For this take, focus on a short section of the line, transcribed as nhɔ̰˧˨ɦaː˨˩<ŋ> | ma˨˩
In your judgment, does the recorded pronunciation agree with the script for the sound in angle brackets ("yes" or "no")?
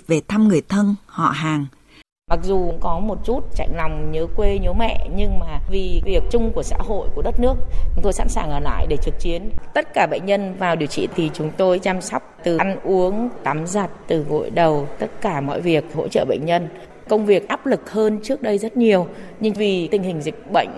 yes